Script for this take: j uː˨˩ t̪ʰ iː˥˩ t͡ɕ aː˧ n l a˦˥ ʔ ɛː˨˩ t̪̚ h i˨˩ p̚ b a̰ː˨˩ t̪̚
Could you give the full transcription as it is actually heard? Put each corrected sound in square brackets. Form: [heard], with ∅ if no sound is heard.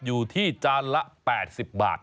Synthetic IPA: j uː˨˩ t̪ʰ iː˥˩ t͡ɕ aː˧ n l a˦˥ [p] ɛː˨˩ t̪̚ [s] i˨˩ p̚ b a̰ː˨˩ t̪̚